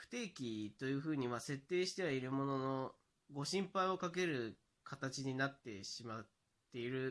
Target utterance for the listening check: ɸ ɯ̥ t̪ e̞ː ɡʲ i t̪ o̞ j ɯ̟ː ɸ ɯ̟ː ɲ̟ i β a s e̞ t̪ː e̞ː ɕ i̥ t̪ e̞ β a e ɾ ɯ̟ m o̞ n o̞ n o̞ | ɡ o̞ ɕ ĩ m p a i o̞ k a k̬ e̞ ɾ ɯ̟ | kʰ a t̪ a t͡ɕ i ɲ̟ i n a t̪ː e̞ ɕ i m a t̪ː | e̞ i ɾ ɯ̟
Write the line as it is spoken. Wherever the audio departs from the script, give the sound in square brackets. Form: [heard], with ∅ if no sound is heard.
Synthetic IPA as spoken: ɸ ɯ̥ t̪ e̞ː [kʲ] i t̪ o̞ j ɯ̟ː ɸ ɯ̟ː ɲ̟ i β a s e̞ t̪ː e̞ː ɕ i̥ t̪ e̞ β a [i] ɾ ɯ̟ m o̞ n o̞ n o̞ | ɡ o̞ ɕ ĩ m p a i o̞ k a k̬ e̞ ɾ ɯ̟ | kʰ a t̪ a t͡ɕ i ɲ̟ i n a t̪ː e̞ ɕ i m a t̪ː | e̞ i ɾ ɯ̟